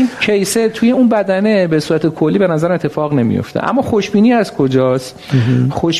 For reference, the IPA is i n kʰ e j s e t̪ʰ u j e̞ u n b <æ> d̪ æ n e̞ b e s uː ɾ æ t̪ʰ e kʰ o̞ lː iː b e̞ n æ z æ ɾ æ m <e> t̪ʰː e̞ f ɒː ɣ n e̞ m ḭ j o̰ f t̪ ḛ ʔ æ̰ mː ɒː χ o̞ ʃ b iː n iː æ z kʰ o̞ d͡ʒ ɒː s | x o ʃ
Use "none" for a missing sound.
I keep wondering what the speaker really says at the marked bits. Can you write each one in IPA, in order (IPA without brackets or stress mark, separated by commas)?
æ, e